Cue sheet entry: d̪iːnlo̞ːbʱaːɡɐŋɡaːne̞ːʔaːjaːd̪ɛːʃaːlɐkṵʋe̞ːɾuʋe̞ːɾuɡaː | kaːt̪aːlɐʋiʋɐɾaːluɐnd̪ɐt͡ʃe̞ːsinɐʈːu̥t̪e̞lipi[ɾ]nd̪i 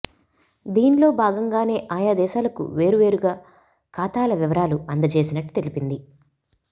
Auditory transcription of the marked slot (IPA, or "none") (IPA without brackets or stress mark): none